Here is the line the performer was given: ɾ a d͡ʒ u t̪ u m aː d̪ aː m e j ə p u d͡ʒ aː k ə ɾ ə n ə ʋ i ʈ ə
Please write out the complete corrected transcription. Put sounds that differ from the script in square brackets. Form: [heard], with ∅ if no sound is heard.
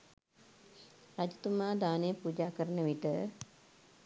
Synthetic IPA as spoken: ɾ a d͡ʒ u t̪ u m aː d̪ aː [n] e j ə p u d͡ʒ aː k ə ɾ ə n ə ʋ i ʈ ə